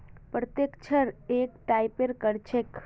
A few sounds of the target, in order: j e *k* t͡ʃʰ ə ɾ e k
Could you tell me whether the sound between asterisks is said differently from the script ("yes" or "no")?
no